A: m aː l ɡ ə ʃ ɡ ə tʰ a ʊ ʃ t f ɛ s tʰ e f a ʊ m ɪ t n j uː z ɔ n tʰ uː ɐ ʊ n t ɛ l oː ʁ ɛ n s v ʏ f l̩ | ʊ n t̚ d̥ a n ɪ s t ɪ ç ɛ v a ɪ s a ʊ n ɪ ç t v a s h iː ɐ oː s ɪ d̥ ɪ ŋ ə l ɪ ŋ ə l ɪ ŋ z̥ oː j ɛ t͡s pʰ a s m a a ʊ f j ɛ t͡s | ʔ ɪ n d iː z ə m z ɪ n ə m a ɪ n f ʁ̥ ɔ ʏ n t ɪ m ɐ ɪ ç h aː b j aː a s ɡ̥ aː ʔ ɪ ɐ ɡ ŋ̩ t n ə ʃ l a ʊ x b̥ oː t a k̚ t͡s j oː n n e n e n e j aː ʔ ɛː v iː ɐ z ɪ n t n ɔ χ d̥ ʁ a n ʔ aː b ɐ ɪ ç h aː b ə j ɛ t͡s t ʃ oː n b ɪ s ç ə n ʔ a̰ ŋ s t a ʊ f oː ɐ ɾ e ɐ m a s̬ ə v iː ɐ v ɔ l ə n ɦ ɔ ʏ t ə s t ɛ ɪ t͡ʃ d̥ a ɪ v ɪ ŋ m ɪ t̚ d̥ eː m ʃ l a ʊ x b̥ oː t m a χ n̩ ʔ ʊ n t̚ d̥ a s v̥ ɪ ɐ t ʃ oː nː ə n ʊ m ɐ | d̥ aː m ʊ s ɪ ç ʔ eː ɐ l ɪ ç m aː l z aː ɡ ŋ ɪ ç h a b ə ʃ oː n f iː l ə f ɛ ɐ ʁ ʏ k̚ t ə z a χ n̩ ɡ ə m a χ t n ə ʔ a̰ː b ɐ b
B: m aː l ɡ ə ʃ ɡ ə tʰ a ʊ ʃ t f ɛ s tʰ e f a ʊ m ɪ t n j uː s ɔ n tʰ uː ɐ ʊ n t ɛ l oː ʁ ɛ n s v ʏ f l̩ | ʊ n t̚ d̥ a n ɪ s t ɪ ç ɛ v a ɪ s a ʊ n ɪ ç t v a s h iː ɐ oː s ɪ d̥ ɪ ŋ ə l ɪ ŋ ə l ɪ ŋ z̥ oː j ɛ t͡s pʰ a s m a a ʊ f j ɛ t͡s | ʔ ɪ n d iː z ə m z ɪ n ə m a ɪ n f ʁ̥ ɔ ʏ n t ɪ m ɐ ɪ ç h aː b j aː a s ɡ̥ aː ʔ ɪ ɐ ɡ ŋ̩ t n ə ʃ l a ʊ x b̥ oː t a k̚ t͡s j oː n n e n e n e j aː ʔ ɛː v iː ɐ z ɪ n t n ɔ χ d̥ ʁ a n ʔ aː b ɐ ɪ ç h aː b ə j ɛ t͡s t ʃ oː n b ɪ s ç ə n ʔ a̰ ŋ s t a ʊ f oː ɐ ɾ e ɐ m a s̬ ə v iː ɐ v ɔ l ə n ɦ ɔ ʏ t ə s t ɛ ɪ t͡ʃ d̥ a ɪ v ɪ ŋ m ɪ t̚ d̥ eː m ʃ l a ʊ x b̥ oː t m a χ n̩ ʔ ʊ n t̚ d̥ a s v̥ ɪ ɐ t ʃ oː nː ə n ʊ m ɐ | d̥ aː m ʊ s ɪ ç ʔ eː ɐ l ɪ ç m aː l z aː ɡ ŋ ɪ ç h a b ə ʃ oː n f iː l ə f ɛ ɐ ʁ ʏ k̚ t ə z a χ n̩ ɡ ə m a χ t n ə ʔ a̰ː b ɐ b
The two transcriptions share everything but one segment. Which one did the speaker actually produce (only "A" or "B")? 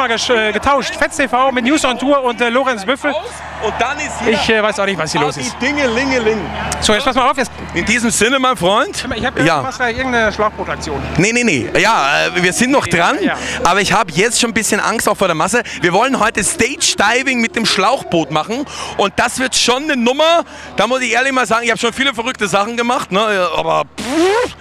B